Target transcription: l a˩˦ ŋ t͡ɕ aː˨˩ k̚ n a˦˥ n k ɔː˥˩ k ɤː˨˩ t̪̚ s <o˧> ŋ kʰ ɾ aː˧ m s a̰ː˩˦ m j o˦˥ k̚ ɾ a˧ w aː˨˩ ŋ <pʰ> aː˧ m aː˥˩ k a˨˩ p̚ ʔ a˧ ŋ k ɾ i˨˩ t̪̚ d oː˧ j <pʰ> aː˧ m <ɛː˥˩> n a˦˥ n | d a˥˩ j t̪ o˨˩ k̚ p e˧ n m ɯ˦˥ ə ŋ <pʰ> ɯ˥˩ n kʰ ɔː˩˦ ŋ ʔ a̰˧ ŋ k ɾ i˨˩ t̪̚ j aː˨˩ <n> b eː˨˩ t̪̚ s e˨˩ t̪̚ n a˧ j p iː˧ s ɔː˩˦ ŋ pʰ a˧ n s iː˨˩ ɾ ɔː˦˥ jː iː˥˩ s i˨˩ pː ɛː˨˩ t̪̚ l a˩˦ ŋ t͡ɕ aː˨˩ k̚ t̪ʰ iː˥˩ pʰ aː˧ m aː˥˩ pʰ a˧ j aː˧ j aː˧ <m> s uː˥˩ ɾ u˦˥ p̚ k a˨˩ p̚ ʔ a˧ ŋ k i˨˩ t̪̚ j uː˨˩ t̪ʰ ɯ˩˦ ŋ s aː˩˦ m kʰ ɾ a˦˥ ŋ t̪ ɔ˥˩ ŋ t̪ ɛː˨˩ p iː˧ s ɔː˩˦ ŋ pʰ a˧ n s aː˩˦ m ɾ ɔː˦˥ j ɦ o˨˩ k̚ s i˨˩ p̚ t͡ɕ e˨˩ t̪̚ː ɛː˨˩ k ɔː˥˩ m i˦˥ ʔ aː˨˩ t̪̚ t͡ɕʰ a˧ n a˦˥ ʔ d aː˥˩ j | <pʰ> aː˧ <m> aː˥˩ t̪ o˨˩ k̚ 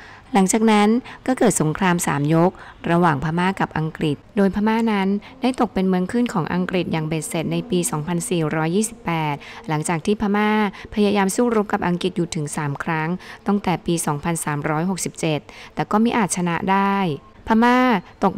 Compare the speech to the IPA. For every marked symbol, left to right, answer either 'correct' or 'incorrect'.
incorrect: o˩˦, correct, correct, incorrect: aː˥˩, incorrect: kʰ, incorrect: ŋ, correct, correct, correct

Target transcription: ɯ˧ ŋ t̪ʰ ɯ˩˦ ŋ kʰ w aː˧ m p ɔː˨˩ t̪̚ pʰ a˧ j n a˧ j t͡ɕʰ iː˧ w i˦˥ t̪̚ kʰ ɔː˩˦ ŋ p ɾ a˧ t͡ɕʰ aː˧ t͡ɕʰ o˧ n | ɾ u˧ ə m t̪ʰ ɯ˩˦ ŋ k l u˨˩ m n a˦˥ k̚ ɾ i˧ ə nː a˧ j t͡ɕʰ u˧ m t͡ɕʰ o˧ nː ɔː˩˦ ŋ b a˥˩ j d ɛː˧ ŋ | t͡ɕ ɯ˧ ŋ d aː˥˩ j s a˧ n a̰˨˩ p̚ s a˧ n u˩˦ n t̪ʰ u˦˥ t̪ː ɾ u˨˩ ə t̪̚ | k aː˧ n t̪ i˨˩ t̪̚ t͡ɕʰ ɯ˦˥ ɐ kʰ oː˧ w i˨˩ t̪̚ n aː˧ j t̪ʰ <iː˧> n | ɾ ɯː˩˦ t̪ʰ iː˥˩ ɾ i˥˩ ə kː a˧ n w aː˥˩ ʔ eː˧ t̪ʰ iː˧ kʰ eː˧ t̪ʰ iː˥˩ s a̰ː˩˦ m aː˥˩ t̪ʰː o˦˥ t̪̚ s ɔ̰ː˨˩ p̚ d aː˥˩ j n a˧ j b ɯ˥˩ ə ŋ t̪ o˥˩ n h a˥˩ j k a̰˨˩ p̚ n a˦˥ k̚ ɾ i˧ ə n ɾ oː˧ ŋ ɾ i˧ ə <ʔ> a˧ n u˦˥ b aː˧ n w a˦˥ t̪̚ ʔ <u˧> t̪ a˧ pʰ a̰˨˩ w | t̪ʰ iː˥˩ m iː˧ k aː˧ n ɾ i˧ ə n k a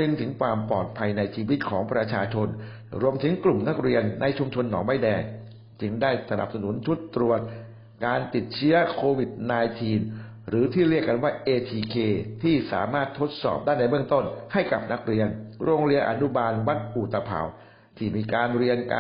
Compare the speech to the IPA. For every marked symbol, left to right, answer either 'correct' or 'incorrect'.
correct, correct, incorrect: u˨˩

